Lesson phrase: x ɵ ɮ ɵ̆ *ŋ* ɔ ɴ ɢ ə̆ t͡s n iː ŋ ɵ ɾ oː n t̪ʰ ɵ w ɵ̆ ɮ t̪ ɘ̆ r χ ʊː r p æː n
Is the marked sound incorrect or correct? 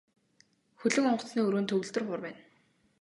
correct